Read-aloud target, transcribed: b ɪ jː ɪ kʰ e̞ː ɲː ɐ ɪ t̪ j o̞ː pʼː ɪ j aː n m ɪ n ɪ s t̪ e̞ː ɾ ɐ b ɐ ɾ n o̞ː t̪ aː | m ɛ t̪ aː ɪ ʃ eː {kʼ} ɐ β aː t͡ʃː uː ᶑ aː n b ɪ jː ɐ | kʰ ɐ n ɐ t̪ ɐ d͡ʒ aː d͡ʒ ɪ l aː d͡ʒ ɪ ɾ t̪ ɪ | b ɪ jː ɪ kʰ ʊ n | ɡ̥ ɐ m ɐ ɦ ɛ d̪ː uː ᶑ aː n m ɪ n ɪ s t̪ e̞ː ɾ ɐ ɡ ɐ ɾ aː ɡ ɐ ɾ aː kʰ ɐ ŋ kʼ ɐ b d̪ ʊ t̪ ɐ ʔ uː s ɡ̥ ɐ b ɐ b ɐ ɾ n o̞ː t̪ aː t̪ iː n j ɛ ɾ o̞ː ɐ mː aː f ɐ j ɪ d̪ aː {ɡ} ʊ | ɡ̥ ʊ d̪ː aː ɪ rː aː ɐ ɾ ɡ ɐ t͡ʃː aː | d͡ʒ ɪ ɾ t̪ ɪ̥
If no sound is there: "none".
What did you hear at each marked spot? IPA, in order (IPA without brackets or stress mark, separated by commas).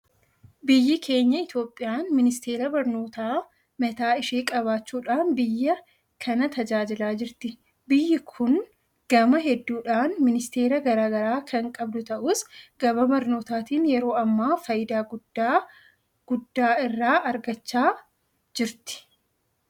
kʼ, ɡ